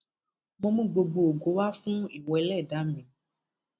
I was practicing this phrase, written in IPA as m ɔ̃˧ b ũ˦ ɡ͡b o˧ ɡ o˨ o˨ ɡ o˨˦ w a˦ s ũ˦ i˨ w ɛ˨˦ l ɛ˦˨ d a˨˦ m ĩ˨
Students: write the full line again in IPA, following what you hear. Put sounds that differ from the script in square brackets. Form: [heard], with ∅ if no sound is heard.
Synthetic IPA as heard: m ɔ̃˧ [m] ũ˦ ɡ͡b o˧ [ɡ͡b] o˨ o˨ ɡ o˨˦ w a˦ [f] ũ˦ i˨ w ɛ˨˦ l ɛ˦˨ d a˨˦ m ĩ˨